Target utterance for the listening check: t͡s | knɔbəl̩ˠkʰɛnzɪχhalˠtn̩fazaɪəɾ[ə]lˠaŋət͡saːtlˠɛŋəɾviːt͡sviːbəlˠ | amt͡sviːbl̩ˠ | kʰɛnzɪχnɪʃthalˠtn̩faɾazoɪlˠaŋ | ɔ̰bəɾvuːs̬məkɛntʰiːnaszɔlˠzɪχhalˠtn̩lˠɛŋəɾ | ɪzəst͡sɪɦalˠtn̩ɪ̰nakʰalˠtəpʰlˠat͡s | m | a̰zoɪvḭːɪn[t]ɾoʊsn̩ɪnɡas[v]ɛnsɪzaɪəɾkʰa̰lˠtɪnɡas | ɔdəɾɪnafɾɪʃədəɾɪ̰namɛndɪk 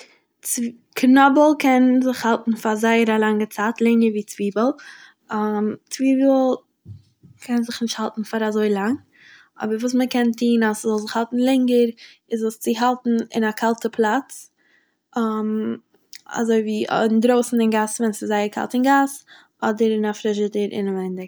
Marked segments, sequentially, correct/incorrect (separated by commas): incorrect, incorrect, correct